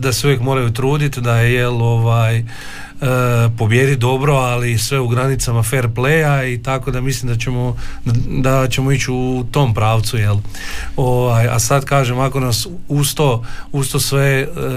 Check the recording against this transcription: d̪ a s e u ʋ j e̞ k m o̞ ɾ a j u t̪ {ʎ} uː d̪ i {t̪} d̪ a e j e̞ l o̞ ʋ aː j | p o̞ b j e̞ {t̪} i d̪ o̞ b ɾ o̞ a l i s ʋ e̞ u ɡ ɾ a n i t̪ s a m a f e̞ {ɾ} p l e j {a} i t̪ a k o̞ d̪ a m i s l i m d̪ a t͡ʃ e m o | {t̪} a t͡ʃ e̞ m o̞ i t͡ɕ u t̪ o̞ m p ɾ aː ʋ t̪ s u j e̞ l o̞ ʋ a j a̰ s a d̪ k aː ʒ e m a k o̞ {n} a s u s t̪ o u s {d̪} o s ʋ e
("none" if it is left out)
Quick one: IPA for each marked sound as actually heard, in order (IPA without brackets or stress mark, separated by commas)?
ɾ, t̪, d̪, ɾ, a, d̪, n, t̪